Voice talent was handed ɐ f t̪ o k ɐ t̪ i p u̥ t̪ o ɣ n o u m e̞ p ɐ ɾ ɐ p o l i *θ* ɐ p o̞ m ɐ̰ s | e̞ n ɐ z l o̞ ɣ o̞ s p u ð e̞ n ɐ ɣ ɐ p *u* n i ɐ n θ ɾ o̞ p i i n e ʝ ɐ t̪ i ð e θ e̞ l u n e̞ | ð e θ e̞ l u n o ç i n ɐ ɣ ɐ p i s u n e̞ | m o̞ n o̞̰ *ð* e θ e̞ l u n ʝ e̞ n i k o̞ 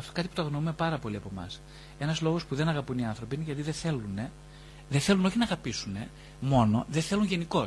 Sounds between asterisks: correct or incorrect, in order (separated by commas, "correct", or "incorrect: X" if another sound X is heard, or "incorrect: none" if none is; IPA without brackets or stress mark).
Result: incorrect: none, correct, correct